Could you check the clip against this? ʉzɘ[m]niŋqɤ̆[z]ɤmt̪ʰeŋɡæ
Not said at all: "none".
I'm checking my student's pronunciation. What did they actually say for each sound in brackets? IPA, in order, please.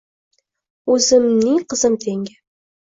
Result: m, z

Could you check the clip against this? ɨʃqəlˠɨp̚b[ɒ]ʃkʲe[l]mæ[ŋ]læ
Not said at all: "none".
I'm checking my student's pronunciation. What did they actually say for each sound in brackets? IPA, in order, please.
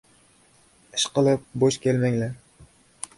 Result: o, l, ŋ

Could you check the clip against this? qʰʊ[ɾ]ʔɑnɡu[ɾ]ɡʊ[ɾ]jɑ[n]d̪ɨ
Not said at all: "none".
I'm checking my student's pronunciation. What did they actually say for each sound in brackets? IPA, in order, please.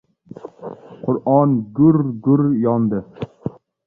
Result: ɾ, ɾ, ɾ, n

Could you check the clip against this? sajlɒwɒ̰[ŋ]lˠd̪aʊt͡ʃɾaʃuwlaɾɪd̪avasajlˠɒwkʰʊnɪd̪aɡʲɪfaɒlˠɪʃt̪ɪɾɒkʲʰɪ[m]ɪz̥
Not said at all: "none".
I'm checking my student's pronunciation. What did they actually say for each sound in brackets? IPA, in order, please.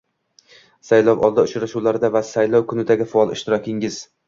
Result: none, ŋ

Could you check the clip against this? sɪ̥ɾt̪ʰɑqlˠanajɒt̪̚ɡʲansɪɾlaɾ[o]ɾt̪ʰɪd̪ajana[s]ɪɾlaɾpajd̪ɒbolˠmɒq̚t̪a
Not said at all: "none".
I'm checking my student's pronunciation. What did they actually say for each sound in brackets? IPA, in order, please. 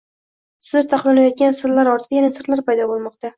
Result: ɒ, s

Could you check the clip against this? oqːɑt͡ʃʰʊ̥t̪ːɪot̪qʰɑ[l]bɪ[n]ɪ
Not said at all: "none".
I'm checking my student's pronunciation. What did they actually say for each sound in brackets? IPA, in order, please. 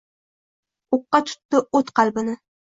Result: l, n

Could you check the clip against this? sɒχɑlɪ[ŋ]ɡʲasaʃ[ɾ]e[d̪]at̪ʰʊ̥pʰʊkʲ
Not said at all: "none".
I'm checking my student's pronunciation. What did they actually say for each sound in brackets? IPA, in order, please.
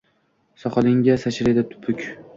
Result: ŋ, ɾ, d̪

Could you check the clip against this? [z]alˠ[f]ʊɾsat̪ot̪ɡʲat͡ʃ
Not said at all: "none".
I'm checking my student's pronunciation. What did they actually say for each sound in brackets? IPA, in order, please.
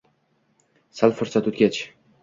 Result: s, f

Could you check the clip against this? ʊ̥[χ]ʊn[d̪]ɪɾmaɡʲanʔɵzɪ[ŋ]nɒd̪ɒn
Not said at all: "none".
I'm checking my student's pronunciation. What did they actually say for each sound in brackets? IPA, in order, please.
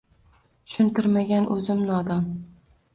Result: ʃ, t̪, m

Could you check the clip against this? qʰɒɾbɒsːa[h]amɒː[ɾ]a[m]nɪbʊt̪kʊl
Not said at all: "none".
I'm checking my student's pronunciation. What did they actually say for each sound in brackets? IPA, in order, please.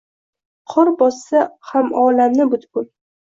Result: h, l, m

